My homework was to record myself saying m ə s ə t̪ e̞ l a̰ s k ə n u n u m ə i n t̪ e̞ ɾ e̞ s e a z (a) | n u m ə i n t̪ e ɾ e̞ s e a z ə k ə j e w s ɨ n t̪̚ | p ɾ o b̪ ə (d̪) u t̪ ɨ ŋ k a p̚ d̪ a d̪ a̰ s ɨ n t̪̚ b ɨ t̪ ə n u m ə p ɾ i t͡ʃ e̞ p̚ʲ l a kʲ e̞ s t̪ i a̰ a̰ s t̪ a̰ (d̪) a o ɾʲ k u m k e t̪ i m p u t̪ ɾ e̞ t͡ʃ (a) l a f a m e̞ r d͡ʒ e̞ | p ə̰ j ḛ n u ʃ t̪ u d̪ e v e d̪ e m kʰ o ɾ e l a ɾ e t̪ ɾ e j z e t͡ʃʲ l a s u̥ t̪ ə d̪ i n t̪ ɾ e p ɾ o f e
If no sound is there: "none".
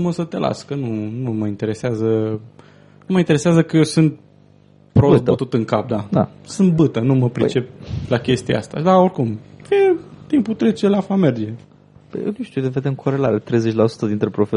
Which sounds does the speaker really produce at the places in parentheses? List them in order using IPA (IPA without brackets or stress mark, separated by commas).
ə, t̪, d̪, e